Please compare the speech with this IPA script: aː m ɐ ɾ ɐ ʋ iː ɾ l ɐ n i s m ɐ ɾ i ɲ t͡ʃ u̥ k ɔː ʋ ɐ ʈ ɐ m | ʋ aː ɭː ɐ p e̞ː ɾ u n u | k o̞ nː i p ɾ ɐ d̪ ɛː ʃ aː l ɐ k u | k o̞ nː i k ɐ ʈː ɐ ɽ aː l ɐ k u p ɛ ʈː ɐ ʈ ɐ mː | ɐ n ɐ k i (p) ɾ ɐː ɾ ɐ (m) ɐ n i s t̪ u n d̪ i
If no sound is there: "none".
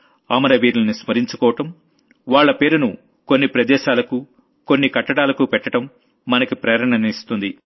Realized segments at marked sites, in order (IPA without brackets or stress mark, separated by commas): p, ɳ